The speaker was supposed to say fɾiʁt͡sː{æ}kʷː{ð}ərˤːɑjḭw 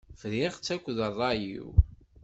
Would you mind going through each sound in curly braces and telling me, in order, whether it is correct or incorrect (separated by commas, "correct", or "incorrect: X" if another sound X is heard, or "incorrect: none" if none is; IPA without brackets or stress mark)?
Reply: correct, correct